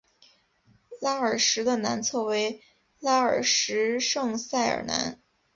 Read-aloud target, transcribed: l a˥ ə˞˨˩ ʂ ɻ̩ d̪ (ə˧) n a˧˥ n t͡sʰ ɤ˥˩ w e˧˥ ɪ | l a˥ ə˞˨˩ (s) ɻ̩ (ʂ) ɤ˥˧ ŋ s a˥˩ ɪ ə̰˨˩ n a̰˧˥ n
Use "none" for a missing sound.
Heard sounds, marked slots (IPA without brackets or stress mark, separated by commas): ə˧, ʂ, ʂ